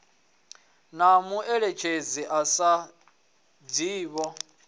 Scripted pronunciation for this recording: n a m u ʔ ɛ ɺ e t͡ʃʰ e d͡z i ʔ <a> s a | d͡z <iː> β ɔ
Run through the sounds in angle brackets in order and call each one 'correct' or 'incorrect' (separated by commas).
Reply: correct, correct